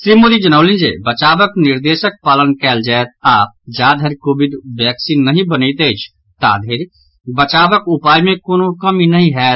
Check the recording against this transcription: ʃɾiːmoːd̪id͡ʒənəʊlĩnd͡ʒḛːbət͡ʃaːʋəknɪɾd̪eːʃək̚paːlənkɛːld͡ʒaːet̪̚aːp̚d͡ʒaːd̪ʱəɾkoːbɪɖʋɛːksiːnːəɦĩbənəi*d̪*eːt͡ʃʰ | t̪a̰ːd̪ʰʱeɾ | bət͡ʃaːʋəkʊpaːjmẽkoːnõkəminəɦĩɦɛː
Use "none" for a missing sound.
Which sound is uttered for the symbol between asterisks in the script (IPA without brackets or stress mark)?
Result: t̪